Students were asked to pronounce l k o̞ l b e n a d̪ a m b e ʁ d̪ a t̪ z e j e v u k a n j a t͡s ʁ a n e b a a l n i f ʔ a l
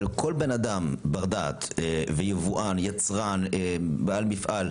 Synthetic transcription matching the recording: l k o̞ l b e n a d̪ a m b a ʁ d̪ a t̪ v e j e v u ʔ a n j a t͡s ʁ a n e b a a l m i f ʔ a l